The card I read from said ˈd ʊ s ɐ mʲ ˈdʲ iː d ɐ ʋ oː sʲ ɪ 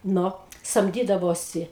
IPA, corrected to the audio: ˈn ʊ s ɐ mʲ ˈdʲ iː d ɐ ʋ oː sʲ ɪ